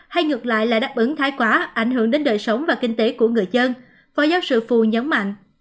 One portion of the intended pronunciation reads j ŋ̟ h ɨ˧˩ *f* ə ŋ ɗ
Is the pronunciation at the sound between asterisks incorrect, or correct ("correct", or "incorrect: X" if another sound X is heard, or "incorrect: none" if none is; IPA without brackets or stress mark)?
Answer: incorrect: none